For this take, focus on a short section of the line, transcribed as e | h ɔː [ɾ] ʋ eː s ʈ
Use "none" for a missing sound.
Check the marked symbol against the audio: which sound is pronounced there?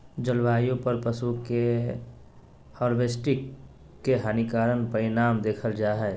ɾ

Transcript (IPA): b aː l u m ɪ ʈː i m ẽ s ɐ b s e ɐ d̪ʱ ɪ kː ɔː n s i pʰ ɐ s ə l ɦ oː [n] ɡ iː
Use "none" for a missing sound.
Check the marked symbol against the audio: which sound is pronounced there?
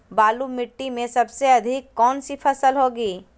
none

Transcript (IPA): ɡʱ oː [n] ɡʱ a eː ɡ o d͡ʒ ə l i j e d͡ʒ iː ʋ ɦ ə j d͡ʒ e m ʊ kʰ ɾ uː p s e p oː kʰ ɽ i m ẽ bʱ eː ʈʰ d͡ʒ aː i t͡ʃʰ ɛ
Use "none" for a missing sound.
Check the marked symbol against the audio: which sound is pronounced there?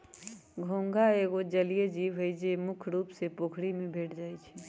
ŋ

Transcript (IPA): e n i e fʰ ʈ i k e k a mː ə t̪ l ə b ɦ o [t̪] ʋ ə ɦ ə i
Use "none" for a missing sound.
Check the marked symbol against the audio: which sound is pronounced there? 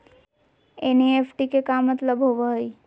none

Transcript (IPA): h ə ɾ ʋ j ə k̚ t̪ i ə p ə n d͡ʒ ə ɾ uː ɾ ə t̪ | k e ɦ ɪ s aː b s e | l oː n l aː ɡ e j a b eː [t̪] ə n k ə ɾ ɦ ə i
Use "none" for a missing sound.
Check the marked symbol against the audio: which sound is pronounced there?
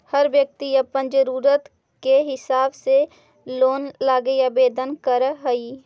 d̪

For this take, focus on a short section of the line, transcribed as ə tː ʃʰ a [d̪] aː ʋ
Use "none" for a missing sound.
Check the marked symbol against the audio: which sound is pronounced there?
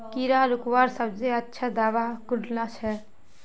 d̪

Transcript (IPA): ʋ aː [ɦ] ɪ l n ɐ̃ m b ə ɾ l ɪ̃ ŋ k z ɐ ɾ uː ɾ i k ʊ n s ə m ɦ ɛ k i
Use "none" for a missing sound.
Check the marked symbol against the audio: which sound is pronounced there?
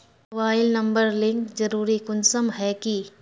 none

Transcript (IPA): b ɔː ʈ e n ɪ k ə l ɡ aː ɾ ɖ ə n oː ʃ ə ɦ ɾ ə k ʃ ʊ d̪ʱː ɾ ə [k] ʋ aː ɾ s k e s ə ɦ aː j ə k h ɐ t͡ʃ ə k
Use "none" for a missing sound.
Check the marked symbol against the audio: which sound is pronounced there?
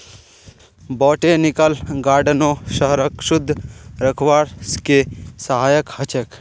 kʰ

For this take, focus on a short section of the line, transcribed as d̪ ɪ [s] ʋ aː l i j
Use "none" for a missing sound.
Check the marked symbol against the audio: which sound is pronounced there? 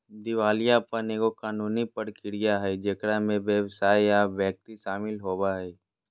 none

